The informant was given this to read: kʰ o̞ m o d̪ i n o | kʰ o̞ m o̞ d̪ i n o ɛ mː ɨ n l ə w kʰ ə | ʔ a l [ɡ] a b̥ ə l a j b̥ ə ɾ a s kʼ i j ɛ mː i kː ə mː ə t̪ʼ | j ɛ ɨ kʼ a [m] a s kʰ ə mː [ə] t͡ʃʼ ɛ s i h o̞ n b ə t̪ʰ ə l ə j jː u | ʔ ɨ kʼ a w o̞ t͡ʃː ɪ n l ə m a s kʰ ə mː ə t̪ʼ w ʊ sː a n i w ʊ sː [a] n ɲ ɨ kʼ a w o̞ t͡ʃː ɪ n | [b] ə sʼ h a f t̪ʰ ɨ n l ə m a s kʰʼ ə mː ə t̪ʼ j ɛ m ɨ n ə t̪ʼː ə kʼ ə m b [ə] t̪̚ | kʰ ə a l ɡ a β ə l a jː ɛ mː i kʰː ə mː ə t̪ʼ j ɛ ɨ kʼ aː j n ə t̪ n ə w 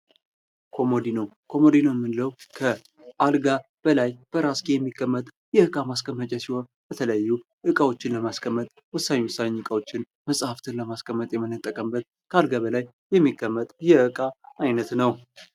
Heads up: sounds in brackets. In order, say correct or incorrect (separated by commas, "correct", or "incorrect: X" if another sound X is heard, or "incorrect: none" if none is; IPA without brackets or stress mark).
correct, correct, correct, correct, incorrect: m, correct